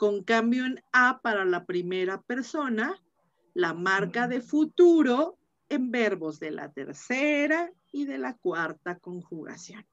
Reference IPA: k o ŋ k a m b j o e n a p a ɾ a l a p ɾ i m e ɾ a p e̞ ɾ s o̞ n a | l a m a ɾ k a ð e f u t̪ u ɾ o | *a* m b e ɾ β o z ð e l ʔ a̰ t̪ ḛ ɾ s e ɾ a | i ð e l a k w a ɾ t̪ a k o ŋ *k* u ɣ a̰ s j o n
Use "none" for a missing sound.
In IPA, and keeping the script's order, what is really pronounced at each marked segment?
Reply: e, x

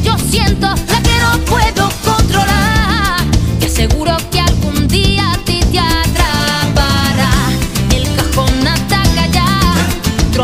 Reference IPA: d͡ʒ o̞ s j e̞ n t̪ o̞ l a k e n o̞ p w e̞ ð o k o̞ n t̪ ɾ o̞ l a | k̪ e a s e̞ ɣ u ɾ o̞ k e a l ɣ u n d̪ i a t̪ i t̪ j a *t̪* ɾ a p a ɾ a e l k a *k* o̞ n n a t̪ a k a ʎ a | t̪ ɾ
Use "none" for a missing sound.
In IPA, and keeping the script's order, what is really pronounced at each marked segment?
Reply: t̪, x

